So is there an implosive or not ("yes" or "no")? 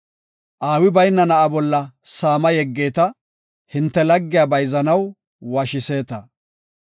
no